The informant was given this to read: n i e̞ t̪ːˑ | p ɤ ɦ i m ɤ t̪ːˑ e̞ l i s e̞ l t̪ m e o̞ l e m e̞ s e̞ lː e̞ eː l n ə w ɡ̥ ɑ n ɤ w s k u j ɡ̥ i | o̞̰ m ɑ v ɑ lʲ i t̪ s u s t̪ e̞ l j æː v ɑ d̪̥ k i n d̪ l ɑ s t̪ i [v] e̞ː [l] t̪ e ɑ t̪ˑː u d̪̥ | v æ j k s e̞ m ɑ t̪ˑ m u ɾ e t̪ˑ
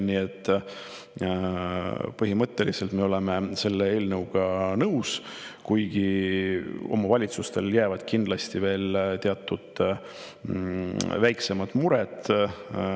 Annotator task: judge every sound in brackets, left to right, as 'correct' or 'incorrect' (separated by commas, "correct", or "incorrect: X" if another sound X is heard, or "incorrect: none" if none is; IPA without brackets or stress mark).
correct, correct